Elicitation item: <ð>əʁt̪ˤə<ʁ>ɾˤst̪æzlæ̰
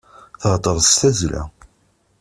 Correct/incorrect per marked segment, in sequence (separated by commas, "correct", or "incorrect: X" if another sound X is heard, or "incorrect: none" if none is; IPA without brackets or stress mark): incorrect: θ, incorrect: none